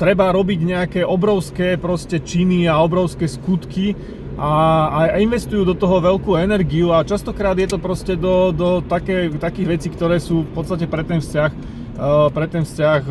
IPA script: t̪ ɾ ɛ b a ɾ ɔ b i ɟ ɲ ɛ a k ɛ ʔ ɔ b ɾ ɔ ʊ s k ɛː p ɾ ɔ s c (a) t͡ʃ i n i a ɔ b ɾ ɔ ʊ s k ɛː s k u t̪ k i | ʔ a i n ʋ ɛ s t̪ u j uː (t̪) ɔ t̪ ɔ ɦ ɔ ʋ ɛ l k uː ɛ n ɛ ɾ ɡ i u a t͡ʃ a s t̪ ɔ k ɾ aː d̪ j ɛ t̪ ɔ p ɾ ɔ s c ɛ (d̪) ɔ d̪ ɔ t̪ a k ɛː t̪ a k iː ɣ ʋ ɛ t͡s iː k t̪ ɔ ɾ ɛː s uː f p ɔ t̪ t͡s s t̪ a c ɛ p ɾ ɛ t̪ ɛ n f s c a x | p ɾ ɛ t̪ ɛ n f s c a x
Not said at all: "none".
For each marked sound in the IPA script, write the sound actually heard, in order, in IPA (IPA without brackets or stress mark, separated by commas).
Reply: ɛ, d̪, d̪